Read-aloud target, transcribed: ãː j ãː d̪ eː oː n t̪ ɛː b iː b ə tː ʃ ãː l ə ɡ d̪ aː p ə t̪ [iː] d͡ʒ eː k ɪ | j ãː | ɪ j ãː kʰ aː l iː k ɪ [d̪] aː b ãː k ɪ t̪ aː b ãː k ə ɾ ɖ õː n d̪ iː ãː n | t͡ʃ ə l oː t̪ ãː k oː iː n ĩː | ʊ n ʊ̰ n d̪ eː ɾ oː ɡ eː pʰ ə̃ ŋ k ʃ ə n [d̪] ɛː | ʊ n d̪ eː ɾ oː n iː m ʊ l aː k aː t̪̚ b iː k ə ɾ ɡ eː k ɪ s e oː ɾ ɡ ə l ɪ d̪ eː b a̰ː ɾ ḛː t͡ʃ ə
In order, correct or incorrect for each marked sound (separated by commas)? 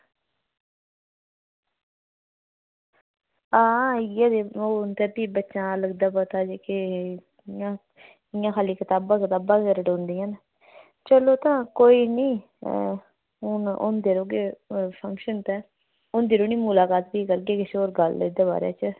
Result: incorrect, incorrect, incorrect